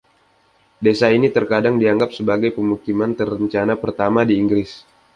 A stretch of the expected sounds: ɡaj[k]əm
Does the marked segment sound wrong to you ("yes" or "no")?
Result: yes